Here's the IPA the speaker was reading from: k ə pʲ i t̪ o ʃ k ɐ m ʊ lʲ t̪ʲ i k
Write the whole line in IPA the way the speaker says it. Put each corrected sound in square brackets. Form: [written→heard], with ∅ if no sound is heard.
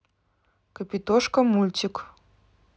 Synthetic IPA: k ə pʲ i t̪ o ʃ k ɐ m [ʊ→u] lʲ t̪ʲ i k